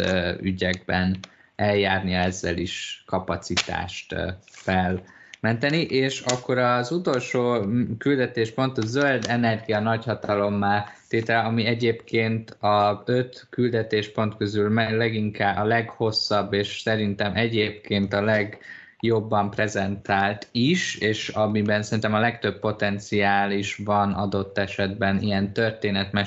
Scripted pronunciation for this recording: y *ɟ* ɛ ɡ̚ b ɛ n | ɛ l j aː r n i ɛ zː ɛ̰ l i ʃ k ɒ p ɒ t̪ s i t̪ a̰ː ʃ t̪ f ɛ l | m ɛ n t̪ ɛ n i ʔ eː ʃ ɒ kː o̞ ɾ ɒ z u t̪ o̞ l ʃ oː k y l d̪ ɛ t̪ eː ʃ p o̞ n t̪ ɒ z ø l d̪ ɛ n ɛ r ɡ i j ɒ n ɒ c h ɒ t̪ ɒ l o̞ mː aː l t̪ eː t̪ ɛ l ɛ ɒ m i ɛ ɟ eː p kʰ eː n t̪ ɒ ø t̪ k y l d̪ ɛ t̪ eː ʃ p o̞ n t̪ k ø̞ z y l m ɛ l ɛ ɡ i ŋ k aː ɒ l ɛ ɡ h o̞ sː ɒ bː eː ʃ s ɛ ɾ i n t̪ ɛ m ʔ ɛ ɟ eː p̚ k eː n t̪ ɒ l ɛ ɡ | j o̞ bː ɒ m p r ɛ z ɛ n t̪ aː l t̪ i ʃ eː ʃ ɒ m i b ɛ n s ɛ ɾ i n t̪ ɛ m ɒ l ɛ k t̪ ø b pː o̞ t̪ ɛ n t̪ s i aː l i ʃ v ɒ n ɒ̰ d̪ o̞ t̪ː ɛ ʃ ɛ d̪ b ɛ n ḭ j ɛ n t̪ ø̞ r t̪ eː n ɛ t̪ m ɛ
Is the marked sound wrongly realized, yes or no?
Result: no